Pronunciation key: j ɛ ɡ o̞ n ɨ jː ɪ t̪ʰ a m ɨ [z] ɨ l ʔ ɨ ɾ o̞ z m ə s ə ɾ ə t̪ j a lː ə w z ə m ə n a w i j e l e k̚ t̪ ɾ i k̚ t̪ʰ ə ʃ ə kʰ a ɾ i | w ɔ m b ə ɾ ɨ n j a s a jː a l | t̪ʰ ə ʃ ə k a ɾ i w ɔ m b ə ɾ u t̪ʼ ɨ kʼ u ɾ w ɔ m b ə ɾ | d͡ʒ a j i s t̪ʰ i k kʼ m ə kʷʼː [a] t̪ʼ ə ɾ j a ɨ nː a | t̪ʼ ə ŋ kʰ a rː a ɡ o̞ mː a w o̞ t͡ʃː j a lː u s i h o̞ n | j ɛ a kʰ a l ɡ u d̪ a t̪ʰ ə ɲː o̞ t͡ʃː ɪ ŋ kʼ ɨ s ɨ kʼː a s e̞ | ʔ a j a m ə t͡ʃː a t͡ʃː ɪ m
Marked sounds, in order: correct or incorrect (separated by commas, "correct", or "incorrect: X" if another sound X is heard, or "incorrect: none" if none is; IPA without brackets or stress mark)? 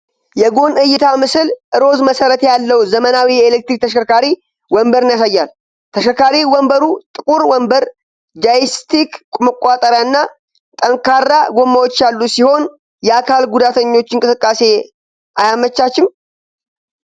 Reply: incorrect: s, correct